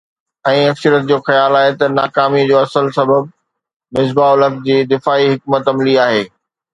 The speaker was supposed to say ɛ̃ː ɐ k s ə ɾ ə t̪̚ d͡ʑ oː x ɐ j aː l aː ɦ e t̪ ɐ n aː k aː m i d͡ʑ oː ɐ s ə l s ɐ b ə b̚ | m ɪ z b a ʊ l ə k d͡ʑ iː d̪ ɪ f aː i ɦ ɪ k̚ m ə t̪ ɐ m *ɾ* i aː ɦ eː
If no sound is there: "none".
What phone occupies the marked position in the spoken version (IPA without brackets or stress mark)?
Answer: l